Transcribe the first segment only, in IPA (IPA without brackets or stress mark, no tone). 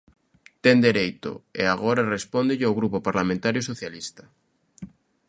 t̪